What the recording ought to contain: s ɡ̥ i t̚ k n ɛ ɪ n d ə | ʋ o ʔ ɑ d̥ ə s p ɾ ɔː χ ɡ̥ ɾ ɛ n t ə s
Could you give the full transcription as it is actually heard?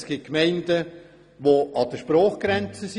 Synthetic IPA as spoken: s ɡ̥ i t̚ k m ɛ ɪ n d ə | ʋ o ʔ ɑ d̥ ə ʃ p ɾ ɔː χ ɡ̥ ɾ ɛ n t͡s ə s